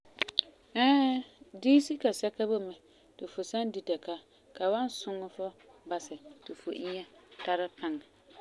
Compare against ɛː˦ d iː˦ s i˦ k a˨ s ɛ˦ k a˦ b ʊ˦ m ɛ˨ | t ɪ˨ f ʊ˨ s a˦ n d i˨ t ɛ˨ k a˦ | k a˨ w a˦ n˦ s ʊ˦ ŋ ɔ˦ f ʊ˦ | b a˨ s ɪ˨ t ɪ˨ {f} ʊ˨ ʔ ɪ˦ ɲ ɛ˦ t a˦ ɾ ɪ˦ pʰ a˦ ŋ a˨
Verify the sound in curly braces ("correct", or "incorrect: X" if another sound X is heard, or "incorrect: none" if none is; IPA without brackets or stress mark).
correct